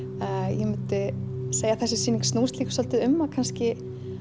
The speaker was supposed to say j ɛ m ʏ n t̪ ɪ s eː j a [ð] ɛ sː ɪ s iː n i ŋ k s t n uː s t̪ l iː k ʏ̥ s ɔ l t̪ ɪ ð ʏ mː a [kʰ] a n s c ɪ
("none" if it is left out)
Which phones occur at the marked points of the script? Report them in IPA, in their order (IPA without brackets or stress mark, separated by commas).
θ, kʰ